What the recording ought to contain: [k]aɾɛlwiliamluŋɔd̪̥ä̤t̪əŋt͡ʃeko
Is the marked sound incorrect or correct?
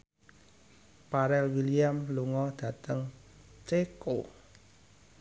incorrect